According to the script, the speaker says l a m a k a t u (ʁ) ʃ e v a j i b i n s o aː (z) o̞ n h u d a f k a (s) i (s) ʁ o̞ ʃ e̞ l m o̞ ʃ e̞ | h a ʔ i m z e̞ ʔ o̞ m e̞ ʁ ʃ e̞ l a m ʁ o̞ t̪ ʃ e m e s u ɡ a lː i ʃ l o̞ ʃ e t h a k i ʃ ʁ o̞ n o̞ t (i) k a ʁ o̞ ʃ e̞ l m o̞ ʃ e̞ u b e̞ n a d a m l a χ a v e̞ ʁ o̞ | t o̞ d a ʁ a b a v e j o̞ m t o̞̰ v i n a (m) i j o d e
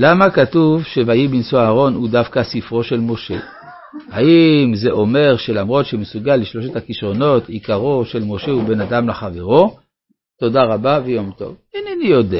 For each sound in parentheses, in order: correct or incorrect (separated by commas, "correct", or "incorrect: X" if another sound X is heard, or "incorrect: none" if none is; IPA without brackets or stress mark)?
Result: incorrect: v, incorrect: ʁ, correct, incorrect: f, correct, incorrect: n